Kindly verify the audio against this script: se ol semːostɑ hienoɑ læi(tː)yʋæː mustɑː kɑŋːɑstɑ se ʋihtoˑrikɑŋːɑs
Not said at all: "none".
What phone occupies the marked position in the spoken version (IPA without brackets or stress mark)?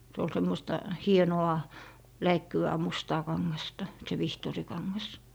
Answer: kː